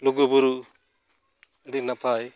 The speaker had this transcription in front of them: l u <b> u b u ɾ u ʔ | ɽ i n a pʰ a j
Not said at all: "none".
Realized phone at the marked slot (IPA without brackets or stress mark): ɡ